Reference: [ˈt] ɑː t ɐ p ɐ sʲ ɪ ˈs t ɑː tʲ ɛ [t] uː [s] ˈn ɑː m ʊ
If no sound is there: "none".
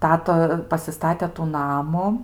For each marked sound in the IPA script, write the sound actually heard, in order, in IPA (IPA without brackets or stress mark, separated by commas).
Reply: t, t, none